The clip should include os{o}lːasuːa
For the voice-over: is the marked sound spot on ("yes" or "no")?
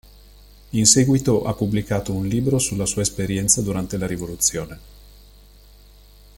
no